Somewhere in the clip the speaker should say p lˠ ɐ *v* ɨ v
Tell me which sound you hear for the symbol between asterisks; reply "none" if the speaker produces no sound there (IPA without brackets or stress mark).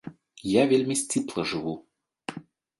ʐ